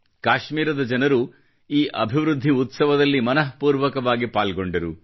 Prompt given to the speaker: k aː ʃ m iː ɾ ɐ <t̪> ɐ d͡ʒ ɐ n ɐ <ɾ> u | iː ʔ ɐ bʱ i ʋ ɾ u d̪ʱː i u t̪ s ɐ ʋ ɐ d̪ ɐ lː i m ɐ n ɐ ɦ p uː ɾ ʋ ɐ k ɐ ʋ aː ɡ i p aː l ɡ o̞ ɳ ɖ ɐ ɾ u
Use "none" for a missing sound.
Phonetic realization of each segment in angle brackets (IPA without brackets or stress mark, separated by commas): d̪, ɾ